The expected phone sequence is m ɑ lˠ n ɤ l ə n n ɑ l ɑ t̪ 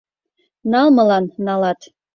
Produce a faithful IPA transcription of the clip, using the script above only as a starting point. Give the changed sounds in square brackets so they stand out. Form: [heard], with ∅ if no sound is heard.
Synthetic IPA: [n] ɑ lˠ [m] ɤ l [ɑ] n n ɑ l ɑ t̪